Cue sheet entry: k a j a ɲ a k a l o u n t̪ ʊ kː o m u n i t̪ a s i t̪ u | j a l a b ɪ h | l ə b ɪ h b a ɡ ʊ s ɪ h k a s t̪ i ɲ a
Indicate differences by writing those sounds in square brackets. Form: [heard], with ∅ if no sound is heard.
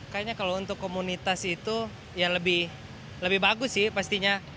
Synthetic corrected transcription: k a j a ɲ a k a l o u n t̪ ʊ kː o m u n i t̪ a s i t̪ u | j a l [ə] b ɪ h | l ə b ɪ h b a ɡ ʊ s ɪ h [p] a s t̪ i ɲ a